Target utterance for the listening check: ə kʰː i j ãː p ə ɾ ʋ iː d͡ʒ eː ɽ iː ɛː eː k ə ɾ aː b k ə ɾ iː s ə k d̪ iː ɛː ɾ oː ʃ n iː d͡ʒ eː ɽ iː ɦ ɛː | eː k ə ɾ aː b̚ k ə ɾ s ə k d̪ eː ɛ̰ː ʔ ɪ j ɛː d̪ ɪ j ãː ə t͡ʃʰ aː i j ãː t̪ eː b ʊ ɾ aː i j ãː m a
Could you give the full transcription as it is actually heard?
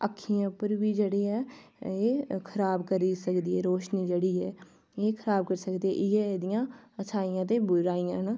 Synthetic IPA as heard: ə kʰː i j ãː p ə ɾ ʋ iː d͡ʒ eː ɽ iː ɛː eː kʰ ə ɾ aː b k ə ɾ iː s ə k d̪ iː ɛː ɾ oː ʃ n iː d͡ʒ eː ɽ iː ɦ ɛː | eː kʰ ə ɾ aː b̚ k ə ɾ s ə k d̪ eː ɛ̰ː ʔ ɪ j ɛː d̪ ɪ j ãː ə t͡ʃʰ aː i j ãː t̪ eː b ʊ ɾ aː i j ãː n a